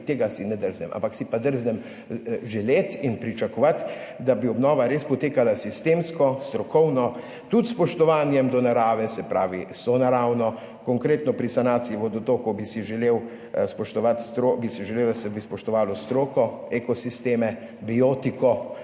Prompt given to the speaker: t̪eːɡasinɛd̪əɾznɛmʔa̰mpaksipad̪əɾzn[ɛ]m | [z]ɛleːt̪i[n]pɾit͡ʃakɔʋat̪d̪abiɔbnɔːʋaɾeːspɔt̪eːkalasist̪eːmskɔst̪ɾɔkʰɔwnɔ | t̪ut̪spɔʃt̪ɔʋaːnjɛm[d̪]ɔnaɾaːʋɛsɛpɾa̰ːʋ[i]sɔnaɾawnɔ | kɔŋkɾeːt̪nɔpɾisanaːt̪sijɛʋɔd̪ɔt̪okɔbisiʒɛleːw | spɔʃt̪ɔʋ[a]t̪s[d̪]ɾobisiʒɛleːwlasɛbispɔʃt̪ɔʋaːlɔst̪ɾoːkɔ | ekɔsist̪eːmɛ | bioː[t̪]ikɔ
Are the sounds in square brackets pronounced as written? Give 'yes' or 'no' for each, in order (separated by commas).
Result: yes, no, yes, yes, yes, yes, no, yes